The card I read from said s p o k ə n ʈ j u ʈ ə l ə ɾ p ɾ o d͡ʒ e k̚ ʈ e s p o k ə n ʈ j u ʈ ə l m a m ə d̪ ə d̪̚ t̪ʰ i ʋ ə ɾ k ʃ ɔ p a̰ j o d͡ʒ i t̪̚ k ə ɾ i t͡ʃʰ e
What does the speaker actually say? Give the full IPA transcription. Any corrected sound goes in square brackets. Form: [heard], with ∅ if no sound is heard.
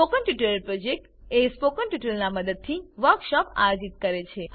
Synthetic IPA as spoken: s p o k ə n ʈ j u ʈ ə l ə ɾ p ɾ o d͡ʒ e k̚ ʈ e s p o k ə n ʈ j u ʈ ə l [n] a m ə d̪ ə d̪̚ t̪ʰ i ʋ ə ɾ k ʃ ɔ p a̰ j o d͡ʒ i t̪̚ k ə ɾ [e] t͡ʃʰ e

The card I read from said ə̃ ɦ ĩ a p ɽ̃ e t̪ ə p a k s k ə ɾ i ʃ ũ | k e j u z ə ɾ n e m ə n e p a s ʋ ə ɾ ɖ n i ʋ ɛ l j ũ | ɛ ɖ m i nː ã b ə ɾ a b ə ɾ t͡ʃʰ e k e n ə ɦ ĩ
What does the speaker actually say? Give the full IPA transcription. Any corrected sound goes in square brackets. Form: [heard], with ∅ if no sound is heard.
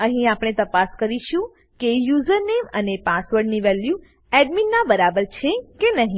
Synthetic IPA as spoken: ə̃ ɦ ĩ a p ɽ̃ e t̪ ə p a [∅] s k ə ɾ i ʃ ũ | k e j u z ə ɾ n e m ə n e p a s ʋ ə ɾ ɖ n i ʋ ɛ l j [u] | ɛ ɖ m i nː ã b ə ɾ a b ə ɾ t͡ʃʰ e k e n ə ɦ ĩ

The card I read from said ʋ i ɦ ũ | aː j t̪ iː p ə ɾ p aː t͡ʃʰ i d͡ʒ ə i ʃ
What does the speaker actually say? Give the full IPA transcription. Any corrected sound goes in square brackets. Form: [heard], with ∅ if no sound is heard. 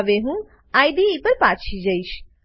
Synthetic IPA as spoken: ʋ [e] ɦ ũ | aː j [d̪] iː p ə ɾ p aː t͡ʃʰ i d͡ʒ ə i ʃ

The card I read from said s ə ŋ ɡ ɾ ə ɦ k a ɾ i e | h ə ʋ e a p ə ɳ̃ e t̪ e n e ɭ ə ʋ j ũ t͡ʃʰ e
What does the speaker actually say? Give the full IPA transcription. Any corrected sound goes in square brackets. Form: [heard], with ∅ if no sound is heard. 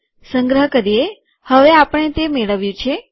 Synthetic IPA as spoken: s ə ŋ ɡ ɾ ə ɦ k [ə] ɾ i e | h ə ʋ e a p ə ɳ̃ e t̪ e [m] e ɭ ə ʋ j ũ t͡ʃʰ e

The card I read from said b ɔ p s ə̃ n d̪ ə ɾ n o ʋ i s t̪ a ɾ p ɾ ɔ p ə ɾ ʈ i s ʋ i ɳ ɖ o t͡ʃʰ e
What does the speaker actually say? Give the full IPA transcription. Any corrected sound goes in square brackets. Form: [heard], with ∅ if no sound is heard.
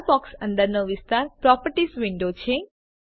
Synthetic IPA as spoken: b ɔ [k] s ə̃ n d̪ ə ɾ n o ʋ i s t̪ a ɾ p ɾ ɔ p ə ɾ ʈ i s ʋ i ɳ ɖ o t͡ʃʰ e

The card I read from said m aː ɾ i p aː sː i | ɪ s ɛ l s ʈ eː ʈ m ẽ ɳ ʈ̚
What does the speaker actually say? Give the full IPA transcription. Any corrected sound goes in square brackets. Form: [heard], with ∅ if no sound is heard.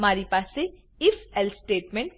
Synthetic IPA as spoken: m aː ɾ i p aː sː [e] | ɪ [f] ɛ l s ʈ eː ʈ m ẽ ɳ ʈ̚

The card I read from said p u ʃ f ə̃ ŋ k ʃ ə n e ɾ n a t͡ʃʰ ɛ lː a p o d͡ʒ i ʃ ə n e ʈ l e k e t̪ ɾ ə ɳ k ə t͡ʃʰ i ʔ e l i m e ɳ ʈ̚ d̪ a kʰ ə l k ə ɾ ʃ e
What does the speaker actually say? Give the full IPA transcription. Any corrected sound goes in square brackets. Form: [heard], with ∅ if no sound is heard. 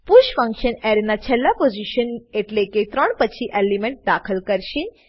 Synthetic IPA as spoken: p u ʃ f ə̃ ŋ k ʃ ə n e ɾ n a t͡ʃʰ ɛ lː a p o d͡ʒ i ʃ ə n e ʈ l e k e t̪ ɾ ə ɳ [p] ə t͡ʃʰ i ʔ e l i m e ɳ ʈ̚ d̪ a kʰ ə l k ə ɾ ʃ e

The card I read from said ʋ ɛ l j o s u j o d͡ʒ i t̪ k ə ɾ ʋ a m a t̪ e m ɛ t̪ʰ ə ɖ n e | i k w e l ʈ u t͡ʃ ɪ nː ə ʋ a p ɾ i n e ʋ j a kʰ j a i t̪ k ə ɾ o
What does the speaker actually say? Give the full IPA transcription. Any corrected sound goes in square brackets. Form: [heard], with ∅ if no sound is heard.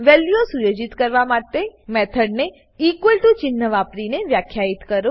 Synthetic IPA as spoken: ʋ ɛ l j o s u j o d͡ʒ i t̪ k ə ɾ ʋ a m a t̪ e m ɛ t̪ʰ ə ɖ n e | i k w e l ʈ u t͡ʃ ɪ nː ə ʋ a p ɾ i n e ʋ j a kʰ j a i t̪ k ə ɾ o

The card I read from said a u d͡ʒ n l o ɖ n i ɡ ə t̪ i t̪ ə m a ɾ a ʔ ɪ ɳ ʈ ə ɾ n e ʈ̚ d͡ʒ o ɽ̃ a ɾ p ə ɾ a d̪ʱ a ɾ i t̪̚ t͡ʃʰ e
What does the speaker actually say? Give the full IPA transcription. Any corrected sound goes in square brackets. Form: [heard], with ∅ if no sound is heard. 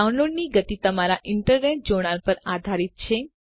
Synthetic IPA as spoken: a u [∅] n l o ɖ n i ɡ ə t̪ i t̪ ə m a ɾ a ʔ ɪ ɳ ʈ ə ɾ n e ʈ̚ d͡ʒ o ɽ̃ a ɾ p ə ɾ a d̪ʱ a ɾ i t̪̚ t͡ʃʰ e

